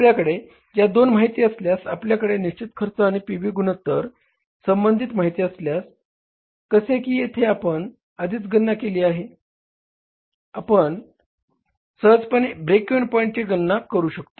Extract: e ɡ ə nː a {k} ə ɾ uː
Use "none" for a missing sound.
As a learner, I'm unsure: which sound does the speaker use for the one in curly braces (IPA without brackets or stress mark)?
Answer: k